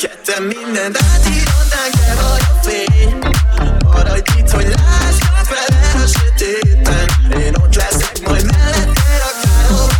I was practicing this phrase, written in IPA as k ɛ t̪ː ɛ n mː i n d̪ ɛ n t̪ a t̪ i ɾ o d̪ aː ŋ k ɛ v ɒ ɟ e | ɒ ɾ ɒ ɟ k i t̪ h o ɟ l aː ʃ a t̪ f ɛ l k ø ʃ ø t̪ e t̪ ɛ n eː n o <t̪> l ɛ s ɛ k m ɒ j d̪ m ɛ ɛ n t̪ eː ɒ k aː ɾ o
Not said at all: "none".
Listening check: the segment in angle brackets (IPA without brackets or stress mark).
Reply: t̪